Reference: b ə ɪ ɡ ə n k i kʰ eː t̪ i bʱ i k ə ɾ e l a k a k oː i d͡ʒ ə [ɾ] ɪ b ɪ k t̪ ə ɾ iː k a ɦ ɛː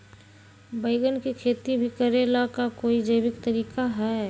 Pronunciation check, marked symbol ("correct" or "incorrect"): incorrect